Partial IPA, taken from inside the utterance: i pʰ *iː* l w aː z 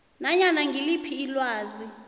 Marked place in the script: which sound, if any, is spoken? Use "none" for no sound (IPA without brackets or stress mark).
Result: iː